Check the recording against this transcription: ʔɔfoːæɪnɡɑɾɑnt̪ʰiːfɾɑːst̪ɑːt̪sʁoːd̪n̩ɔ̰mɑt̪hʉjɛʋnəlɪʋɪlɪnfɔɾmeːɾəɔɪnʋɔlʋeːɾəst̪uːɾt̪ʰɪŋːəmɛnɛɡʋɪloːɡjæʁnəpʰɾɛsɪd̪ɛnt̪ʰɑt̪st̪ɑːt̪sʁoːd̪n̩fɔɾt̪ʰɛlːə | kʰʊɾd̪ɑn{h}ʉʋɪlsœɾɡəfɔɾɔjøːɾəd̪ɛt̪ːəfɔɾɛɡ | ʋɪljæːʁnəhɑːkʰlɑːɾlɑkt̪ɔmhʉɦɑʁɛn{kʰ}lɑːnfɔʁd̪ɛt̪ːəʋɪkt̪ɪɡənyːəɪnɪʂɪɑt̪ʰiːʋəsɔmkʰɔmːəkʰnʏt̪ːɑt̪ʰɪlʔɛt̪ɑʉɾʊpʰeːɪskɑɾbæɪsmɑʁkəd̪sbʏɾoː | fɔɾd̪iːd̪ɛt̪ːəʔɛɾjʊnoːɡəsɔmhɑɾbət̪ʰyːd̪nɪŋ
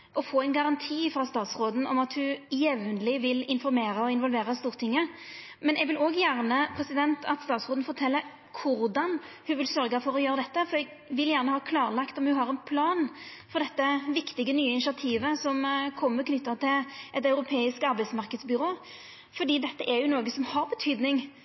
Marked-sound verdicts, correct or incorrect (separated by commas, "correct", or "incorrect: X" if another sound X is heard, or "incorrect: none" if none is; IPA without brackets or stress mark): correct, incorrect: pʰ